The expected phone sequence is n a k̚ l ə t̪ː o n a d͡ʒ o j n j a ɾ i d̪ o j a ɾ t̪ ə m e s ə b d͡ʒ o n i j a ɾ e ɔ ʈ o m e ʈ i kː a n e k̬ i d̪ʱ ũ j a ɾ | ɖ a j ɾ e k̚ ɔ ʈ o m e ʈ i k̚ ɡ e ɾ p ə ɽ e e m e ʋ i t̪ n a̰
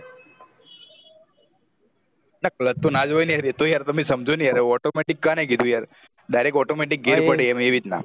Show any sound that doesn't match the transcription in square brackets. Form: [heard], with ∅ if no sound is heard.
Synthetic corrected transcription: n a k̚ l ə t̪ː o n a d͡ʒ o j n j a ɾ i [t̪] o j a ɾ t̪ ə m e s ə [m] d͡ʒ o n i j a ɾ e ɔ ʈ o m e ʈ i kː a n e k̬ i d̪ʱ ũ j a ɾ | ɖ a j ɾ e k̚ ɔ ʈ o m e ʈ i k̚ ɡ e ɾ p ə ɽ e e m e ʋ i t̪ n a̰